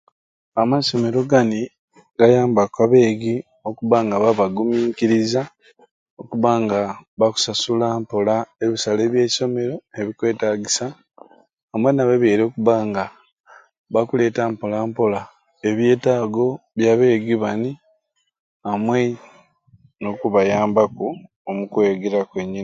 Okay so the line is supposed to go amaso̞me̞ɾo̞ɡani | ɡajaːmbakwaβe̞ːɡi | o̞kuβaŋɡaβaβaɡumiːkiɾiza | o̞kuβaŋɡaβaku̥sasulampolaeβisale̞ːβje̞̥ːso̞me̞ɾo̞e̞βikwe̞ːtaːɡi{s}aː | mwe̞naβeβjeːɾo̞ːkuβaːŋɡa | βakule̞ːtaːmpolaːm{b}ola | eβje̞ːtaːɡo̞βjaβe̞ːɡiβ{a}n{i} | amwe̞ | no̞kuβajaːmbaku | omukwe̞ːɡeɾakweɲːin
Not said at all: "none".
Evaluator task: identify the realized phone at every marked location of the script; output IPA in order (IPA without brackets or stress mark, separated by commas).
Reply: s, p, a, i